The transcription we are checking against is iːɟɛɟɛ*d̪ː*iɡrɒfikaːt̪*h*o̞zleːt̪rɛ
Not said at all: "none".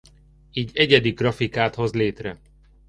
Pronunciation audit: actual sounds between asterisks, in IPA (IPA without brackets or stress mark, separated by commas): d̪, h